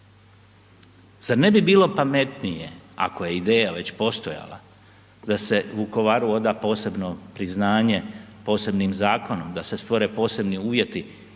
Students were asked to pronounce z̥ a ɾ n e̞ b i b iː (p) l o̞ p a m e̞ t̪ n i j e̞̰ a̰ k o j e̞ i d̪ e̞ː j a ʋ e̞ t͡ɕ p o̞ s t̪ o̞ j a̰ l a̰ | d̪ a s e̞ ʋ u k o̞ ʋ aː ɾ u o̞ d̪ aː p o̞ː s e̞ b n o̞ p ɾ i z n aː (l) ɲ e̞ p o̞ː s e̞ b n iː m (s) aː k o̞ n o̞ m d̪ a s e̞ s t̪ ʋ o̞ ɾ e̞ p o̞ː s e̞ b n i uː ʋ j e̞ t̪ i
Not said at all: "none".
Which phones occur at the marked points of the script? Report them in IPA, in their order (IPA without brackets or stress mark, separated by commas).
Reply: none, none, z